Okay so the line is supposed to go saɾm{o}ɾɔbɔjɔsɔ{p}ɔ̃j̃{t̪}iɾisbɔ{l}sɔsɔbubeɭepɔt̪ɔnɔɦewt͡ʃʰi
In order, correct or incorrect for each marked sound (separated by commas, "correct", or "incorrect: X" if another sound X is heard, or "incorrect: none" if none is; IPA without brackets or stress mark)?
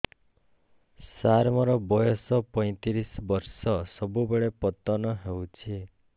incorrect: ɔ, correct, correct, incorrect: ɾ